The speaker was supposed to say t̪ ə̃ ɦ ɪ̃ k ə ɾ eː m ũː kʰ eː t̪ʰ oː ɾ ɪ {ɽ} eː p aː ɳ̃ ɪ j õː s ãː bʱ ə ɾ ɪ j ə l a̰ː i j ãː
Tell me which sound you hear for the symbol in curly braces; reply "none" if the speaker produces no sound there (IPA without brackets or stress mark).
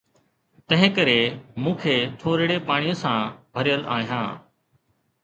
ɽ